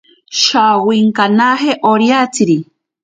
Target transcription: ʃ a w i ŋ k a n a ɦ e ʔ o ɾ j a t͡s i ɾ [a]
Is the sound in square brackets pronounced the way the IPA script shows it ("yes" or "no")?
no